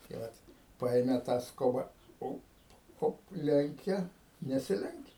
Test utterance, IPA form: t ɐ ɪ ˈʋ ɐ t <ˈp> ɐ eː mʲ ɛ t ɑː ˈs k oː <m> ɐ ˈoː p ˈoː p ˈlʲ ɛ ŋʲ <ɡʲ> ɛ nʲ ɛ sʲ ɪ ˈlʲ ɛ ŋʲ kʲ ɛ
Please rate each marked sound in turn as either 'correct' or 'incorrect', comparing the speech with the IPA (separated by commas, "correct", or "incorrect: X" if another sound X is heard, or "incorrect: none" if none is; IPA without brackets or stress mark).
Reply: correct, incorrect: b, incorrect: kʲ